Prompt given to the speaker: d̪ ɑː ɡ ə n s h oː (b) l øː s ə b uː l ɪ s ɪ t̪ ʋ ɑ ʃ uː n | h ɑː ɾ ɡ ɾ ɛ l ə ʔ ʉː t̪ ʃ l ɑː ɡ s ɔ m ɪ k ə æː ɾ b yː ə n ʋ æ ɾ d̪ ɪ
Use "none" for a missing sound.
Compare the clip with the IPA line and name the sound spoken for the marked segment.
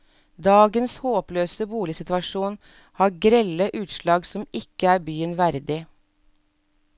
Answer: p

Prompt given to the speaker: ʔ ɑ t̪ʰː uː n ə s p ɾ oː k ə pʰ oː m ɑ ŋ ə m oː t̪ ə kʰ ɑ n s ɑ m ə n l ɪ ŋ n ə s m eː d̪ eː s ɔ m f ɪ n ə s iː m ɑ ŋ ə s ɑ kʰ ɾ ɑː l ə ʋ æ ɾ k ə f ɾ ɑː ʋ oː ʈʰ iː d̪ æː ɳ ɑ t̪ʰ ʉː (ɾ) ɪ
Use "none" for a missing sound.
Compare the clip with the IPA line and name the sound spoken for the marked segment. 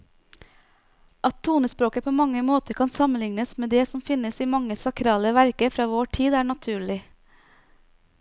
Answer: ɭ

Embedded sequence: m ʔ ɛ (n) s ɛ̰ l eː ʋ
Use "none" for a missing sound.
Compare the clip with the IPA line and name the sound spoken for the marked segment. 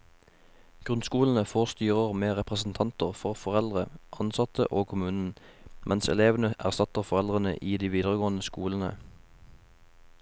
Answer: n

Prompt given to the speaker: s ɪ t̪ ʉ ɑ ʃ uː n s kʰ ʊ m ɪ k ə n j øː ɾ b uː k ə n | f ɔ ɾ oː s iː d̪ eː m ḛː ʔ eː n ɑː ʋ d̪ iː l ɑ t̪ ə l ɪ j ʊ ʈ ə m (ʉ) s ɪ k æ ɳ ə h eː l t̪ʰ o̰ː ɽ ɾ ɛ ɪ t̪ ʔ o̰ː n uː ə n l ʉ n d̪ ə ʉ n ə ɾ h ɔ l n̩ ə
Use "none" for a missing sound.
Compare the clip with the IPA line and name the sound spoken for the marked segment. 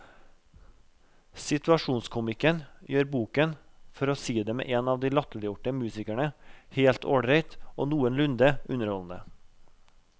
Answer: ʉː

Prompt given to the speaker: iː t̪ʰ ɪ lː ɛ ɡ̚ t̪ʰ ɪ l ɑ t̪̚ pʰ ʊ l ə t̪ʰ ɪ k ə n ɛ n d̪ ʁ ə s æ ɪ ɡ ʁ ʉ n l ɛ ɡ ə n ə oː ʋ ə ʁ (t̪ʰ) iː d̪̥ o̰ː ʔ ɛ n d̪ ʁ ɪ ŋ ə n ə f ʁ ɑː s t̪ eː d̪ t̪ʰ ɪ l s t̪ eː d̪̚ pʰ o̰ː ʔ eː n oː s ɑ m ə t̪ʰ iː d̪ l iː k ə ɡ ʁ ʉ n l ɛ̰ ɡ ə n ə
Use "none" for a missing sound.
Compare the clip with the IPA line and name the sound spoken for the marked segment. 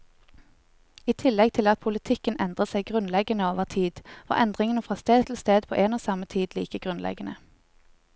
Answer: t̪ʰ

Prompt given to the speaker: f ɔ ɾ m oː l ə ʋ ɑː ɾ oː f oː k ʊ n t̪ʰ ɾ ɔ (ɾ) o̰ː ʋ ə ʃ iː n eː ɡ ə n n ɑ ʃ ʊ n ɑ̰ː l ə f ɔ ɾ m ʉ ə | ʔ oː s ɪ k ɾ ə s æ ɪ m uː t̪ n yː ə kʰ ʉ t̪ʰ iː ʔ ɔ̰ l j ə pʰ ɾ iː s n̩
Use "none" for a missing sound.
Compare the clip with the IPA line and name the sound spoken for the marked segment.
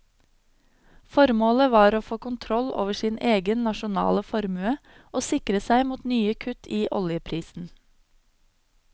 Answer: l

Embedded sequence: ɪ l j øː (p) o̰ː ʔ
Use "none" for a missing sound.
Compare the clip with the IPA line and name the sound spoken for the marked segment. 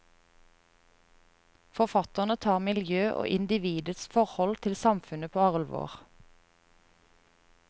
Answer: ʔ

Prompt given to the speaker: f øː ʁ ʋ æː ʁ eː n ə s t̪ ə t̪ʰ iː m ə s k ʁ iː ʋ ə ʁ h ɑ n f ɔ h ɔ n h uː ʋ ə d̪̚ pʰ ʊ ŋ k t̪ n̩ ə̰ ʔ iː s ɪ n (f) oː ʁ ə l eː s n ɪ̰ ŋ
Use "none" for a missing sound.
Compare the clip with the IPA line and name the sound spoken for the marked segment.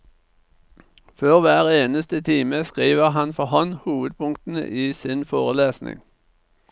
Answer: f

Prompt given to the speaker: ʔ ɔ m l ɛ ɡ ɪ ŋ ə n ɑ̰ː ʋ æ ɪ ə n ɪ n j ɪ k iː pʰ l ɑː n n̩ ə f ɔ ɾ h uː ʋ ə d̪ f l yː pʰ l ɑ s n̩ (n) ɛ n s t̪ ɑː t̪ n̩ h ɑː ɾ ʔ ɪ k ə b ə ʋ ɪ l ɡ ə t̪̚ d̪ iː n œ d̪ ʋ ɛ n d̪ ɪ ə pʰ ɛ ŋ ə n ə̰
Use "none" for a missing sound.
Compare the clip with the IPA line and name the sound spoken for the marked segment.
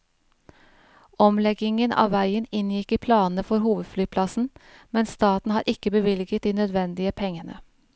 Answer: m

